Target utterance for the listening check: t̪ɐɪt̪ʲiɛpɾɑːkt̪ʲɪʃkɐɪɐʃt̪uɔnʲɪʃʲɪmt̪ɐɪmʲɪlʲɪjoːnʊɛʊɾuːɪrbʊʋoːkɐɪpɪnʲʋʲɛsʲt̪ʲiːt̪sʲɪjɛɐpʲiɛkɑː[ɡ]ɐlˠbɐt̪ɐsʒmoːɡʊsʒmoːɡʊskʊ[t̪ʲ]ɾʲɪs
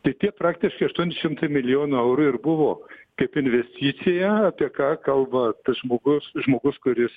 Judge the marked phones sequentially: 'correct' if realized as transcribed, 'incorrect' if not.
incorrect: k, incorrect: none

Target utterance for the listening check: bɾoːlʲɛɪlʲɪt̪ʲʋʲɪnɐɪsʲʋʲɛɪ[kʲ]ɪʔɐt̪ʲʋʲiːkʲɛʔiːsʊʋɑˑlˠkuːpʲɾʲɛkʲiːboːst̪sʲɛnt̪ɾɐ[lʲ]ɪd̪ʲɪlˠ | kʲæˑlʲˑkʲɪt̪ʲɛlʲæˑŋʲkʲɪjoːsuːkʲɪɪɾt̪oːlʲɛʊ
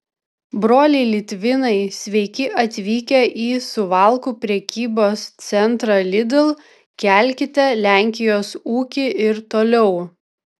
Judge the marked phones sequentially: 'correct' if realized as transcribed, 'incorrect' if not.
correct, correct

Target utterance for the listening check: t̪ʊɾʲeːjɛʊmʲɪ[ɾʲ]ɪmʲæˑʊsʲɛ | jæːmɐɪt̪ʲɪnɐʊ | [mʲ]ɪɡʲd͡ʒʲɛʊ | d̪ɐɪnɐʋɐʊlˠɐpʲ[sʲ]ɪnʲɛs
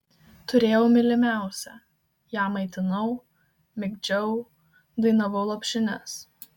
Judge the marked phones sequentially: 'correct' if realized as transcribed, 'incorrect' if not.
incorrect: lʲ, correct, incorrect: ʃʲ

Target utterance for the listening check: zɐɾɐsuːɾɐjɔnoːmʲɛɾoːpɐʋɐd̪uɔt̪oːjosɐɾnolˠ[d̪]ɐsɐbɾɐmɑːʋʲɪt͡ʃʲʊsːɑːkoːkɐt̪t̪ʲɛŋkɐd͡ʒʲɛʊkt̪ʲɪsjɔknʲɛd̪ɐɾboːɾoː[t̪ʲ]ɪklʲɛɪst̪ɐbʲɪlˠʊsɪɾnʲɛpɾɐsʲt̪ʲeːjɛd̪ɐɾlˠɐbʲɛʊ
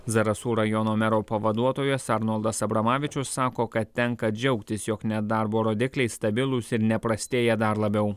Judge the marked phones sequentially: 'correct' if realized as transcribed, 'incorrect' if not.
correct, incorrect: d̪ʲ

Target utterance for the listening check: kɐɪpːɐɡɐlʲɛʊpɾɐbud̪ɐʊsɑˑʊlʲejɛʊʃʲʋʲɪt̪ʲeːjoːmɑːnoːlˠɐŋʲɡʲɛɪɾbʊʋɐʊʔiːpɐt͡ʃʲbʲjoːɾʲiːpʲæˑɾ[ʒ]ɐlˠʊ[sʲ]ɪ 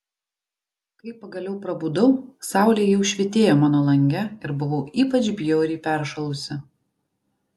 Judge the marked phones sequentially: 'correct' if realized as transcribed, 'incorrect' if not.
incorrect: ʃ, correct

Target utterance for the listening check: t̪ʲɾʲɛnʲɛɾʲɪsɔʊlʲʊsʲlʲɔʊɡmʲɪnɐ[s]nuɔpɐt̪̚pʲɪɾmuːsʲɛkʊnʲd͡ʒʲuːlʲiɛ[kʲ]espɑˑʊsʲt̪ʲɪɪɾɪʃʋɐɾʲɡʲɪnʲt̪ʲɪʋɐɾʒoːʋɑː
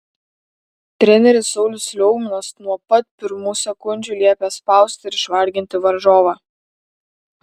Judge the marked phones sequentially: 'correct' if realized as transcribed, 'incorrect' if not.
correct, incorrect: pʲ

